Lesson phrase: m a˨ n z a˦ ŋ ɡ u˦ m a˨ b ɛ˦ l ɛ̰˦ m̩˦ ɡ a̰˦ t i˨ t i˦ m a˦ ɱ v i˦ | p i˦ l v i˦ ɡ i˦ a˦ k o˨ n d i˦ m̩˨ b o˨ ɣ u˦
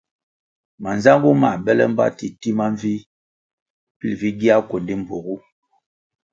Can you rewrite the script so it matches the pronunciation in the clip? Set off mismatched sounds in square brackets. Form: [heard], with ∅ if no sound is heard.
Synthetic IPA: m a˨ n z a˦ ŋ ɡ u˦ m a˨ b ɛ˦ l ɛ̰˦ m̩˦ [b] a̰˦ t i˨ t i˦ m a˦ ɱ v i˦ | p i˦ l v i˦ ɡ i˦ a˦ k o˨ n d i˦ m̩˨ b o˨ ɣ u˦